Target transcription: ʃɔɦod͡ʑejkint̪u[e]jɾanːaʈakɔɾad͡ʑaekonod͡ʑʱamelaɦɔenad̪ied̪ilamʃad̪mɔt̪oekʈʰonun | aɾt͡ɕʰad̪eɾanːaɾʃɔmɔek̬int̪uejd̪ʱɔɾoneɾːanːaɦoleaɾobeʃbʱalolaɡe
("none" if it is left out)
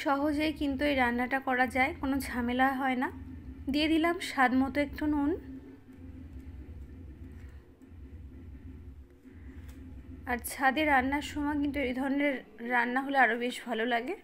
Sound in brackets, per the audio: e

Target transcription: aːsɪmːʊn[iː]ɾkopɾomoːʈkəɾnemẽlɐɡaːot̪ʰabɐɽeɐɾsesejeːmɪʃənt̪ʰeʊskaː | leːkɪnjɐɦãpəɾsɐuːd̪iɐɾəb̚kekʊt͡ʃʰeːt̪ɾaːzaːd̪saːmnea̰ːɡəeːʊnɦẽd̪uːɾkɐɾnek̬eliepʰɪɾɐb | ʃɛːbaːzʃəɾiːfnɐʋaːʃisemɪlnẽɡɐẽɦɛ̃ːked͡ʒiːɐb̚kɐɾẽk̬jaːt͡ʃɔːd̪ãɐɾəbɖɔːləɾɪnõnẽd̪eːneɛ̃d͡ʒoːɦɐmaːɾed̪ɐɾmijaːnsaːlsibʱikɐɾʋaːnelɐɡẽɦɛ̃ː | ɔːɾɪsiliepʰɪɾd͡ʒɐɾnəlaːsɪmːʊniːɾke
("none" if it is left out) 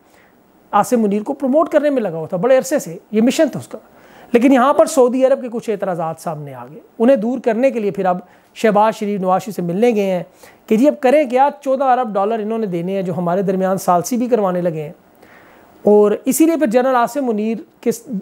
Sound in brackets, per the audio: iː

